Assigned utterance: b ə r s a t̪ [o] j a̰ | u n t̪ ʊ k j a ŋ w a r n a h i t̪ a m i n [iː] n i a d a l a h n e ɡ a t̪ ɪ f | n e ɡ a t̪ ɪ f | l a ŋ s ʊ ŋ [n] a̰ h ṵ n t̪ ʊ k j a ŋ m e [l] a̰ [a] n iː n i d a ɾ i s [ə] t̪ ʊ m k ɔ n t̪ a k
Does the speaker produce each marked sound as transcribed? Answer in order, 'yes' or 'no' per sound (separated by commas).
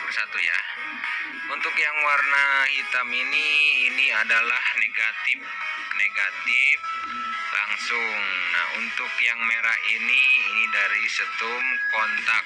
no, yes, yes, no, no, yes